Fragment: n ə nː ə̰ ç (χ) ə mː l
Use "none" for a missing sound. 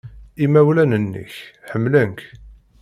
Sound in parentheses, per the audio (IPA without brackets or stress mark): ħ